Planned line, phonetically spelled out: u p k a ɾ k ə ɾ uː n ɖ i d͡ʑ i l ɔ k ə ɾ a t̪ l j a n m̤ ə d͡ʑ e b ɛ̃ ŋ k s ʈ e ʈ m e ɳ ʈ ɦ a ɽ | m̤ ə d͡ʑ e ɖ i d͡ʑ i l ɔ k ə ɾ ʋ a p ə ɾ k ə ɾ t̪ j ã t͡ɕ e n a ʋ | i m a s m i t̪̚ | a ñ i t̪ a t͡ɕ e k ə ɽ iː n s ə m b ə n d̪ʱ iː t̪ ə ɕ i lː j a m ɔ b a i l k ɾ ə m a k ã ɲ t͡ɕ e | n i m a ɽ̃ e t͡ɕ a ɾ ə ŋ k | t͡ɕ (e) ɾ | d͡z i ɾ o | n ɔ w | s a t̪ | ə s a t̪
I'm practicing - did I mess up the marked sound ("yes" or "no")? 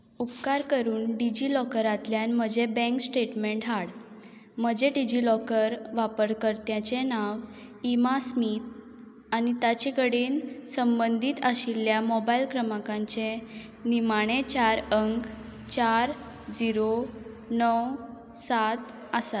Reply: yes